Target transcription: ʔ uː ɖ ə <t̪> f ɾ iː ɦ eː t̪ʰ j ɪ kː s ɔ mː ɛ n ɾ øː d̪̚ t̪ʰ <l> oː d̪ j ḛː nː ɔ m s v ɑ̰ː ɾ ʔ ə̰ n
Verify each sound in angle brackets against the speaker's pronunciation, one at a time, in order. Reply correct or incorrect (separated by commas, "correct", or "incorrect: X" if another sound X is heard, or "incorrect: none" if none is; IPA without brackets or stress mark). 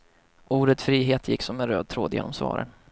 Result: correct, incorrect: ɾ